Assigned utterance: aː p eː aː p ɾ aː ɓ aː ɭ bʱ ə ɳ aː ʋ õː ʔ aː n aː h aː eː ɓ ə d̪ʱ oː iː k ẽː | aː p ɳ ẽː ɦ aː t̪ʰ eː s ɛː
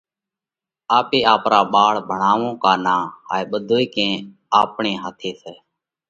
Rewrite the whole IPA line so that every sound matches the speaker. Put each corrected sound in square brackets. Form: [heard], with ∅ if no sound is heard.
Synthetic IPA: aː p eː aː p ɾ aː ɓ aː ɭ bʱ ə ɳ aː ʋ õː [k] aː n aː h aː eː ɓ ə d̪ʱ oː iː k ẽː | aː p ɳ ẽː ɦ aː t̪ʰ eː s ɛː

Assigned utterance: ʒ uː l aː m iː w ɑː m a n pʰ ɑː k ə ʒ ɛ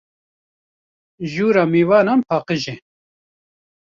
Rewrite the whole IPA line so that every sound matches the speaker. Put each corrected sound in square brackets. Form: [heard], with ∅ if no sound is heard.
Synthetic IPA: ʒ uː [ɾ] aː m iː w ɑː [n] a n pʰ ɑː [q] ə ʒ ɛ

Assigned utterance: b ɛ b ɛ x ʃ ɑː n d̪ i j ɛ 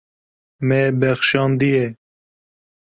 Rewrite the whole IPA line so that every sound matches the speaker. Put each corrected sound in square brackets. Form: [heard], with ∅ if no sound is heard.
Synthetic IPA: [m] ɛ b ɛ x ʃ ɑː n d̪ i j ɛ

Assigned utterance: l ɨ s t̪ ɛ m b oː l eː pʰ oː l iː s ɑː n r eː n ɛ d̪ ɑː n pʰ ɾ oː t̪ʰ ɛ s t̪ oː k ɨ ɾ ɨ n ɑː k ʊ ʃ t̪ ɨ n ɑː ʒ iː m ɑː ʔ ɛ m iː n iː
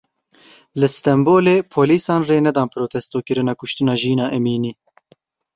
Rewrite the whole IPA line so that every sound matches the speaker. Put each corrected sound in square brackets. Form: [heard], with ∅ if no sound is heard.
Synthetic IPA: l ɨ s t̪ ɛ m b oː l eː pʰ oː l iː s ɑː n r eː n ɛ d̪ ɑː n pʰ ɾ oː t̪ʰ ɛ s t̪ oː k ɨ ɾ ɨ n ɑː k ʊ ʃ t̪ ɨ n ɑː ʒ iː [n] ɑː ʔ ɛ m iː n iː

